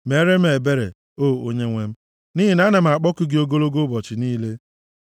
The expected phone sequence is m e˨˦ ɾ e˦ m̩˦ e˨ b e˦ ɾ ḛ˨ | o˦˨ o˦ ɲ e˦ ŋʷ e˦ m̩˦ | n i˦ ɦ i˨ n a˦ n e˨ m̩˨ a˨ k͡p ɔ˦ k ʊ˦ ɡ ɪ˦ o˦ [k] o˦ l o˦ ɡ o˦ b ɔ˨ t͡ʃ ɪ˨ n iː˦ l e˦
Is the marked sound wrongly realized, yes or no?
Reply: yes